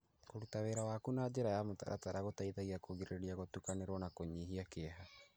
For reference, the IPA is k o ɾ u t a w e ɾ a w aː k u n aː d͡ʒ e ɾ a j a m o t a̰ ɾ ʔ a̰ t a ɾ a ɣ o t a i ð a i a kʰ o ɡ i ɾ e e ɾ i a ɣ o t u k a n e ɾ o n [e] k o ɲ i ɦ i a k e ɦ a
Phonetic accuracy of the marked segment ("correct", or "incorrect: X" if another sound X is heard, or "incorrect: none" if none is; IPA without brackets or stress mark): incorrect: a